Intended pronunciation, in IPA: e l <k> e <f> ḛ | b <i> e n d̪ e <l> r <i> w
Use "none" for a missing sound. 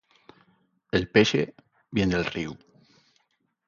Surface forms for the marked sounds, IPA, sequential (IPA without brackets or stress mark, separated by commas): p, ʃ, j, l, i